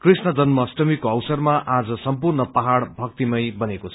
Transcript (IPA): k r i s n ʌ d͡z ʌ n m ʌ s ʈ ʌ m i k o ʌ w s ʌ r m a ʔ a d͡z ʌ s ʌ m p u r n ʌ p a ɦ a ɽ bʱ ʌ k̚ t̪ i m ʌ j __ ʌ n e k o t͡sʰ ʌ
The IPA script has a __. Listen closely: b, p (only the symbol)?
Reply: b